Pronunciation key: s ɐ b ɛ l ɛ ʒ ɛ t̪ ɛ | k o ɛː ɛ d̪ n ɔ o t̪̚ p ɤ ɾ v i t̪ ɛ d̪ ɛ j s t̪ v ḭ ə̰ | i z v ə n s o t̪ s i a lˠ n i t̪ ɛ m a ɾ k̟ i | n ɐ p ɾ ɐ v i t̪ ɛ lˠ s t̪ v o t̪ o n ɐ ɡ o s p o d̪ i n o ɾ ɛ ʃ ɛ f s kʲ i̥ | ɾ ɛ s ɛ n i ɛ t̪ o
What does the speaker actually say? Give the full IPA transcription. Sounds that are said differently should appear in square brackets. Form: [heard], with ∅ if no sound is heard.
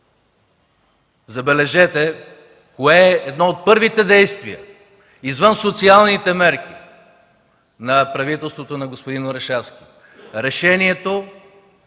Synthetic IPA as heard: [z] ɐ b ɛ l ɛ ʒ ɛ t̪ ɛ | k o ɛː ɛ d̪ n ɔ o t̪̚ p ɤ ɾ v i t̪ ɛ d̪ ɛ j s t̪ v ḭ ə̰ | i z v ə n s o t̪ s i a lˠ n i t̪ ɛ m [ɛ] ɾ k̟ i | n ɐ p ɾ ɐ v i t̪ ɛ lˠ s t̪ v o t̪ o n ɐ ɡ o s p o d̪ i n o ɾ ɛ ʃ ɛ f s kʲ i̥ | ɾ ɛ [ʃ] ɛ n i ɛ t̪ o

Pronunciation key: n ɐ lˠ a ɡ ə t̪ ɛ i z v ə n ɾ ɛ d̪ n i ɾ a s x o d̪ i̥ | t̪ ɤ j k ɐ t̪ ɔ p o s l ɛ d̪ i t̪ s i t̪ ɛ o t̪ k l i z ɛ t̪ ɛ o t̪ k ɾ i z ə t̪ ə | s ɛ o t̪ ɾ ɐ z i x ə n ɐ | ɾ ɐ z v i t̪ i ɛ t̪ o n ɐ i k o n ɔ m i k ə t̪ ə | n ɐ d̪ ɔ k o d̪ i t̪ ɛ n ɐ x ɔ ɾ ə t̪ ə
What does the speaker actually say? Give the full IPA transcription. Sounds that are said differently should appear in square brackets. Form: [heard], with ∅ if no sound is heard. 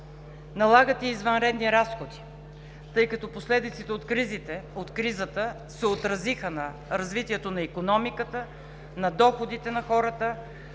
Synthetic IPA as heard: n ɐ lˠ a ɡ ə t̪ ɛ i z v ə n ɾ ɛ d̪ n i ɾ a s x o d̪ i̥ | t̪ ɤ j k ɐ t̪ ɔ p o s l ɛ d̪ i t̪ s i t̪ ɛ o t̪ k [ɾ] i z [i] t̪ ɛ o t̪ k ɾ i z ə t̪ ə | s ɛ o t̪ ɾ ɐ z i x ə n ɐ | ɾ ɐ z v i t̪ i ɛ t̪ o n ɐ i k o n ɔ m i k ə t̪ ə | n ɐ d̪ ɔ [x] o d̪ i t̪ ɛ n ɐ x ɔ ɾ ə t̪ ə

